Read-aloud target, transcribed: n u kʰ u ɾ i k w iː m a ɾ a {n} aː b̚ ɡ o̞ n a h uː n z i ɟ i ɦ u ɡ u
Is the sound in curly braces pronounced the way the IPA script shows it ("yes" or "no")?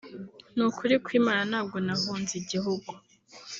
yes